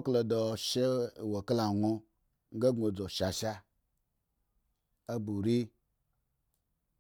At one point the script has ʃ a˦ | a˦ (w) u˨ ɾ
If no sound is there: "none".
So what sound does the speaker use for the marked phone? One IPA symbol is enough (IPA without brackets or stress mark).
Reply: b